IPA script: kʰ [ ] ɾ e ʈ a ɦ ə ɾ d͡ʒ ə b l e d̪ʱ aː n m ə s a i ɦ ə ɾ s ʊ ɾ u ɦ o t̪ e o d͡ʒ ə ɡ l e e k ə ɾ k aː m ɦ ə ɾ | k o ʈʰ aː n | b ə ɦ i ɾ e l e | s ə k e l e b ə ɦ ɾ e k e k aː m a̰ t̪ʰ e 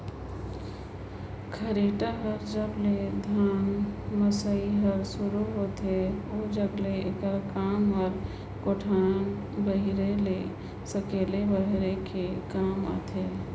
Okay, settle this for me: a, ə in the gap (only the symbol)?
ə